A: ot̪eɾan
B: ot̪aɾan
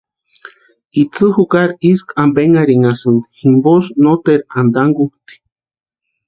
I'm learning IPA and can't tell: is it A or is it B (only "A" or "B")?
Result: A